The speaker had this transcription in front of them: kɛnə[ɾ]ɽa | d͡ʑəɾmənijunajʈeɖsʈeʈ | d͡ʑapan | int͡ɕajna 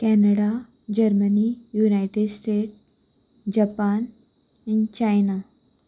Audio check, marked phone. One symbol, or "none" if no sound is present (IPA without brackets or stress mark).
none